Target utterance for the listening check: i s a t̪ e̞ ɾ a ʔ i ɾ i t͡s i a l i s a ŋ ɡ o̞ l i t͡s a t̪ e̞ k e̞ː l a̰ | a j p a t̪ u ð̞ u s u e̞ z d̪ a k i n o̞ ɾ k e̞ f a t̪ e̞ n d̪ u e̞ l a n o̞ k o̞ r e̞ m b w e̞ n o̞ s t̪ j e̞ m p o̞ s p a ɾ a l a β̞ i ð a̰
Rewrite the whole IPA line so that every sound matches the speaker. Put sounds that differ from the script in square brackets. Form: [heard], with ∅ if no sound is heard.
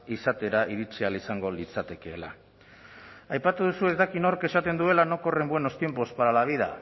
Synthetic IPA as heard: i s a t̪ e̞ ɾ a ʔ i ɾ i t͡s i a l i s a ŋ ɡ o̞ l i t͡s a t̪ e̞ k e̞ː l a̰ | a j p a t̪ u ð̞ u s u e̞ z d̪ a k i n o̞ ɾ k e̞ [s] a t̪ e̞ n d̪ u e̞ l a n o̞ k o̞ r e̞ m b w e̞ n o̞ s t̪ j e̞ m p o̞ s p a ɾ a l a β̞ i ð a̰